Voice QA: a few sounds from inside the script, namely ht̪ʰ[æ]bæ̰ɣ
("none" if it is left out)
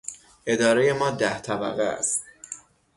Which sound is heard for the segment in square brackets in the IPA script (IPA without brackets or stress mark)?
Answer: æ